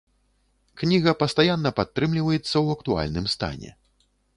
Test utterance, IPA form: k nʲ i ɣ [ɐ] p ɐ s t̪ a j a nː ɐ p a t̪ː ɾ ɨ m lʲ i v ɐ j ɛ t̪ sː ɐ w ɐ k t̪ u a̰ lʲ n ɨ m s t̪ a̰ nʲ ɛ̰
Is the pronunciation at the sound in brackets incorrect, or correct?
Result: correct